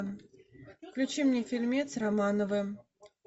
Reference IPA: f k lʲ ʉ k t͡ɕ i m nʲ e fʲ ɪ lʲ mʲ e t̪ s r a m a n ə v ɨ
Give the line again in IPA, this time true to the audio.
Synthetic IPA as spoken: f k lʲ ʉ t͡ɕ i m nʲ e fʲ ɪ lʲ mʲ e t̪ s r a m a n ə v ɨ